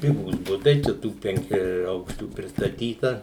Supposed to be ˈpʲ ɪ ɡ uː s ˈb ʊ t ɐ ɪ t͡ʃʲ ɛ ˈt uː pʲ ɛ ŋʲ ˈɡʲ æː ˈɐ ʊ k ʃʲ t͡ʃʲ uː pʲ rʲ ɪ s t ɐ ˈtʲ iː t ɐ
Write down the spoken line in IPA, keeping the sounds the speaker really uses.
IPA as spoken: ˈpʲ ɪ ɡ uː s ˈb ʊ t ɐ ɪ t͡ʃʲ ɛ ˈt uː pʲ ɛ ŋʲ ˈkʲ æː ˈɐ ʊ k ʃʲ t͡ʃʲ uː pʲ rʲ ɪ s t ɐ ˈtʲ iː t ɐ